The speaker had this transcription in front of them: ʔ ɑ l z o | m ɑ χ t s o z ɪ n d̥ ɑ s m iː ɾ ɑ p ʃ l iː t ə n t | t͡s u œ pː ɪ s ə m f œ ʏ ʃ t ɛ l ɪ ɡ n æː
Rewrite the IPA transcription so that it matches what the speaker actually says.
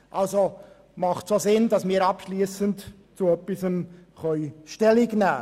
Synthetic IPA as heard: ʔ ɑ l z o | m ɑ χ t s o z ɪ n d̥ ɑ s m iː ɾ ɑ p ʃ l iː s ə n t | t͡s u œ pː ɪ s ə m χ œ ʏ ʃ t ɛ l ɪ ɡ n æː

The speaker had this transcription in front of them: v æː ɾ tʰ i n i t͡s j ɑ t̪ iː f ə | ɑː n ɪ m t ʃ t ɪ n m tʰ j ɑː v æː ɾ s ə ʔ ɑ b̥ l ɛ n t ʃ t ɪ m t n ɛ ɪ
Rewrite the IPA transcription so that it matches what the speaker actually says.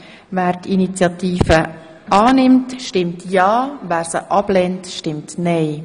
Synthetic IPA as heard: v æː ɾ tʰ i n i t͡s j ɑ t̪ iː f ə | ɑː n ɪ m t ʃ t ɪ m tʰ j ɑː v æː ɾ s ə ʔ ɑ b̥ l ɛ n t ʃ t ɪ m t n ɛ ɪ

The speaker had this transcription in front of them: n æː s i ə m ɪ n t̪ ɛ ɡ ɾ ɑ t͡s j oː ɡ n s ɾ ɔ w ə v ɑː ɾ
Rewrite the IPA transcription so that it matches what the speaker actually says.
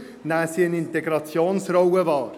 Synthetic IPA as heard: n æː s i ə n ɪ n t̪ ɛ ɡ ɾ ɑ t͡s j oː n s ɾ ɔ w ə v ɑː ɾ

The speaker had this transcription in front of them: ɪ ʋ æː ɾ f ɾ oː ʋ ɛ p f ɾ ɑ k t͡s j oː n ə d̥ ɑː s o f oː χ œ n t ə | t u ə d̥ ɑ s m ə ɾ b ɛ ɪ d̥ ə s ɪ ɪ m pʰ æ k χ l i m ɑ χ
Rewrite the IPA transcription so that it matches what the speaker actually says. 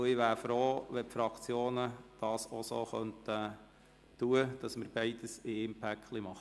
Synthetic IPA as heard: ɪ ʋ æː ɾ f ɾ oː ʋ ɛ p f ɾ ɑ k t͡s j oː n ə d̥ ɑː s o s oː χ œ n t ə | t u ə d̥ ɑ s m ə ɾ b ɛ ɪ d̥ ə s ɪ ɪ m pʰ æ k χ l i m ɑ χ

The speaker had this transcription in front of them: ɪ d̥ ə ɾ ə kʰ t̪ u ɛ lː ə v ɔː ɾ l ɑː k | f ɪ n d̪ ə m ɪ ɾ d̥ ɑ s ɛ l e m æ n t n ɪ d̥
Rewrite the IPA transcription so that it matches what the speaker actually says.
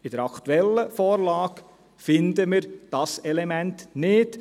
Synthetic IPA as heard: ɪ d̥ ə ɾ ɑ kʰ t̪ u ɛ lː ə f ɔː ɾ l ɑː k | f ɪ n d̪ ə m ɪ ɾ d̥ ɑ s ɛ l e m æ n t n ɪ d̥

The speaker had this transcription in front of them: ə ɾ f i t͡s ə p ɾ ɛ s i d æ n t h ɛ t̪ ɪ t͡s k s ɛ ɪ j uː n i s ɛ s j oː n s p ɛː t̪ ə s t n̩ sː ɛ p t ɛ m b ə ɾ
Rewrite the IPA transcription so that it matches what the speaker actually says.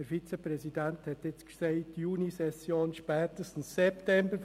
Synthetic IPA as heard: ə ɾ f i t͡s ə p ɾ ɛ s i d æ n t h ɛ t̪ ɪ t͡s k s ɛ ɪ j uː n i s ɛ s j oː n ʃ p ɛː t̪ ə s t n̩ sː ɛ p t ɛ m b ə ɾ

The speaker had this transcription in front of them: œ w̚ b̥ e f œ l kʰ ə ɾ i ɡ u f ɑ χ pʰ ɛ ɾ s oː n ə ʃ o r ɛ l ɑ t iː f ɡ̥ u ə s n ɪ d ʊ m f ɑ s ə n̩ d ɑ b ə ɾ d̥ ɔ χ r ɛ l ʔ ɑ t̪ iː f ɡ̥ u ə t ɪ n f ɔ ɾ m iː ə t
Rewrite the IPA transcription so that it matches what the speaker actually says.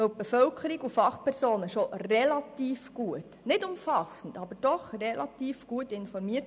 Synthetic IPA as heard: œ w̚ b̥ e f œ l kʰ ə ɾ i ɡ u f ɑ χ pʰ ɛ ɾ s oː n ə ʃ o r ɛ l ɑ t iː f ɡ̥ u ə t n ɪ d ʊ m f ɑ s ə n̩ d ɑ b ə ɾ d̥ ɔ χ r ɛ l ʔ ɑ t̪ iː f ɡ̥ u ə t ɪ n f ɔ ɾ m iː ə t

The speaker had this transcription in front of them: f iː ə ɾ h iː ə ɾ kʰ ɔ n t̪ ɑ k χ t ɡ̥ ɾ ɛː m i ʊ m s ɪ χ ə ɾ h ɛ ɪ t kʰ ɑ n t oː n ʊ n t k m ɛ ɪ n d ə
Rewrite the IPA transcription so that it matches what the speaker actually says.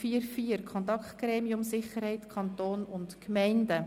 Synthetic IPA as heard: f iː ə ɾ f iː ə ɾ kʰ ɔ n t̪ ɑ k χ t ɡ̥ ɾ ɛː m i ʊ m s ɪ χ ə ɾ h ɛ ɪ t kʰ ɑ n t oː n ʊ n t k m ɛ ɪ n d ə

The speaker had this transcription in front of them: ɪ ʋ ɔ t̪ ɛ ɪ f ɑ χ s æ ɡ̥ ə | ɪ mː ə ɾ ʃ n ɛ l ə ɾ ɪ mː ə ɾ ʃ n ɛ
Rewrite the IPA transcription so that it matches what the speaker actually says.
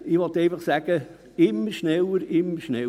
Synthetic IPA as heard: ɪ ʋ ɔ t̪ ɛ ɪ f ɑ χ s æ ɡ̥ ə | ɪ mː ə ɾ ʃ n ɛ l ə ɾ ɪ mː ə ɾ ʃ n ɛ

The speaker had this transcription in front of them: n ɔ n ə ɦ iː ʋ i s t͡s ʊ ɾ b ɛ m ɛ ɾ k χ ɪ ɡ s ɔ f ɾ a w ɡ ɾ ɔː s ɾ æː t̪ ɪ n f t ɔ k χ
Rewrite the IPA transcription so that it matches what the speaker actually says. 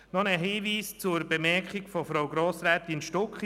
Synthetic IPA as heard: n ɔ n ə ɦ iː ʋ iː s t͡s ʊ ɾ b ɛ m ɛ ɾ k χ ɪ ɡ f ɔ f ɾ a w ɡ ɾ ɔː s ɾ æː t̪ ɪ n ʃ t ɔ k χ

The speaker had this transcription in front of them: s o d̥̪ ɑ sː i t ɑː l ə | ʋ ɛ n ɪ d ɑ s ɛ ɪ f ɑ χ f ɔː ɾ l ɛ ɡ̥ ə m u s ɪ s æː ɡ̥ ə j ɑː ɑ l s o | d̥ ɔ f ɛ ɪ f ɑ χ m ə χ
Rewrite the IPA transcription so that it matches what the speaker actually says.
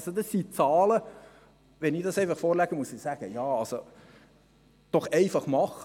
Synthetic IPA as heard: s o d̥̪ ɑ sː i t͡s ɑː l ə | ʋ ɛ n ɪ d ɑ s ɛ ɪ f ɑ χ f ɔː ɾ l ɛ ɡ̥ ə m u s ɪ s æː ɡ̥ ə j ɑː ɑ l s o | d̥ ɔ χ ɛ ɪ f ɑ χ m ɑ χ

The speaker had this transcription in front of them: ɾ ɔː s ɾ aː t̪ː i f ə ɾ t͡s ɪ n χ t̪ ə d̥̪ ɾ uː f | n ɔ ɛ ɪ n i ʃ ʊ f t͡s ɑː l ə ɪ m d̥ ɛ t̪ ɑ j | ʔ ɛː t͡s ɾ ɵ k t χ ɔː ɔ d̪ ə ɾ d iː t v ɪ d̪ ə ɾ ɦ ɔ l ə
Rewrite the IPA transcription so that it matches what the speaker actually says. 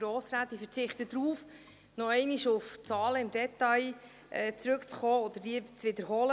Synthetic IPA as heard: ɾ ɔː s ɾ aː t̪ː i f ə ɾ t͡s ɪ χ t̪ ə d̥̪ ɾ uː f | n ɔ ɛ ɪ n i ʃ ʊ f t͡s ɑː l ə ɪ m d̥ ɛ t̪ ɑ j | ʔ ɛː t͡s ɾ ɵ k t͡s χ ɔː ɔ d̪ ə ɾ d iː t͡s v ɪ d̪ ə ɾ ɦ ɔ l ə

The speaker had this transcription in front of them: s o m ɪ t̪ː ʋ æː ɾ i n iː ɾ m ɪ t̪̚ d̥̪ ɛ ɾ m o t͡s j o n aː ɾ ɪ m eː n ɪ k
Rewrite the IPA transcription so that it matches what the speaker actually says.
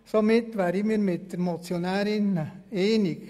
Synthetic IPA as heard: s o m ɪ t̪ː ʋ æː ɾ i m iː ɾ m ɪ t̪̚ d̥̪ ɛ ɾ m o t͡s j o n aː ɾ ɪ n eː n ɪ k

